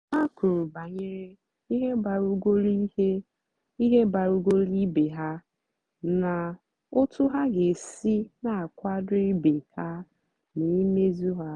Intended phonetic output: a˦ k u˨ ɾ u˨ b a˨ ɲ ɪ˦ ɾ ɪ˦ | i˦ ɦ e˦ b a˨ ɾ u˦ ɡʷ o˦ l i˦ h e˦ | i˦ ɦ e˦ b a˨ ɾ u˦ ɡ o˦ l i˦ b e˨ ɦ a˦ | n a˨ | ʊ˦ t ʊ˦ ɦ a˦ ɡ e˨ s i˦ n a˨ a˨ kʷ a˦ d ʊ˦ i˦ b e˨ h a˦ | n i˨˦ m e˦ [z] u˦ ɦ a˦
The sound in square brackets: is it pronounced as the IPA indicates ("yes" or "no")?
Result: yes